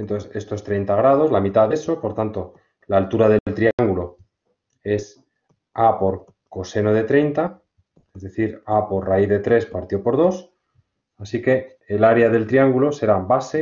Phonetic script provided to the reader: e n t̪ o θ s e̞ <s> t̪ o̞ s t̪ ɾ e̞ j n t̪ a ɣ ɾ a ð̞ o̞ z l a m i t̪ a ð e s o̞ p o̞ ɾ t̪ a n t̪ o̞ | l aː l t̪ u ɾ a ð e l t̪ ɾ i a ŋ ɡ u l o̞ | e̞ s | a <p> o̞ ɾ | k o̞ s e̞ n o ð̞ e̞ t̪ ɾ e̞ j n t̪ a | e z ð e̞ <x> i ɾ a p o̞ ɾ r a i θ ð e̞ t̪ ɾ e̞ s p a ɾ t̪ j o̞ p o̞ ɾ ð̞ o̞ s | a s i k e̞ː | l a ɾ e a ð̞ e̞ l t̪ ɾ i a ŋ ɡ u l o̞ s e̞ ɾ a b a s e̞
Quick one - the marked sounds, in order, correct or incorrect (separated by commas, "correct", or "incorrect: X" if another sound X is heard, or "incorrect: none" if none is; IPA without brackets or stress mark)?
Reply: correct, correct, incorrect: θ